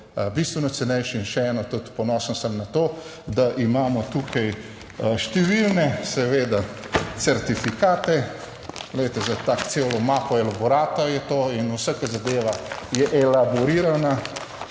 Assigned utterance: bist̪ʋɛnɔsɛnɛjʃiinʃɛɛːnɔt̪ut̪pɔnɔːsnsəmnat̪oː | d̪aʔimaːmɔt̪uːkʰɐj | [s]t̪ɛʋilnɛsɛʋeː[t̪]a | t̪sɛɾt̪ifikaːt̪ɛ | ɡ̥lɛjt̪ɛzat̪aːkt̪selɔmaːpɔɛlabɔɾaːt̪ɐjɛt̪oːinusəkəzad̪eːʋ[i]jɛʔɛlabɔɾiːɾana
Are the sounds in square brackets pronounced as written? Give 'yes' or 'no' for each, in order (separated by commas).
no, no, no